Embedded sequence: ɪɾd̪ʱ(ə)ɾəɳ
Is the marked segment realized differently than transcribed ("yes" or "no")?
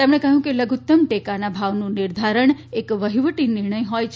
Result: yes